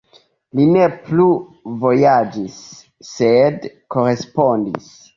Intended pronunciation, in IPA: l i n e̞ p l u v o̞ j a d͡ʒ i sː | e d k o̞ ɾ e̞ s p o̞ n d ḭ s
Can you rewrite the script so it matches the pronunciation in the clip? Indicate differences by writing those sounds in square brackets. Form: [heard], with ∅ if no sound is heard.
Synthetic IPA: l i n e̞ p l u v o̞ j a d͡ʒ i sː | e d k o̞ ɾ e̞ s p o̞ n d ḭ s